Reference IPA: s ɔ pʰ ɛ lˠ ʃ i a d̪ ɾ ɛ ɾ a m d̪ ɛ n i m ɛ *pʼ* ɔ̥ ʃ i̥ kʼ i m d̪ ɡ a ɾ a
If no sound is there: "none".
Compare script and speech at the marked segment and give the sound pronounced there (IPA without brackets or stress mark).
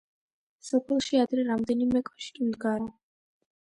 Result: kʼ